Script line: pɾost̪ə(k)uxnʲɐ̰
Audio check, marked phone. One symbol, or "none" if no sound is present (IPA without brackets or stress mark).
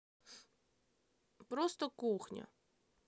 k